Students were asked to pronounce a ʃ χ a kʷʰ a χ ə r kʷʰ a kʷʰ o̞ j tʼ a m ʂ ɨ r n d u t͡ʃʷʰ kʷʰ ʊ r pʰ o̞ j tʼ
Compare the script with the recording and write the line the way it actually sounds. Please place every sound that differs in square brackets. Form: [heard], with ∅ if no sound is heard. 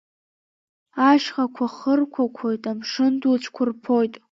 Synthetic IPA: a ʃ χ a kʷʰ a χ ə r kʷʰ a kʷʰ o̞ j tʼ a m ʂ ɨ [∅] n d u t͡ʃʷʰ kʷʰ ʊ r pʰ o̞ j tʼ